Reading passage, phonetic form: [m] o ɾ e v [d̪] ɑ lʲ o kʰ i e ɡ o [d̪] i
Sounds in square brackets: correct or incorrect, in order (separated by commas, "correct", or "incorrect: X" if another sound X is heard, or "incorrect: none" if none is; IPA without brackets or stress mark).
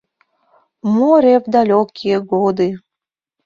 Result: correct, correct, correct